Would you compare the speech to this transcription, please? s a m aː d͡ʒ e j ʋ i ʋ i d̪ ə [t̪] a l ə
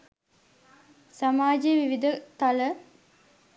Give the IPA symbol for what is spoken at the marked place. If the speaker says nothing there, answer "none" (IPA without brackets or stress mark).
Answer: t̪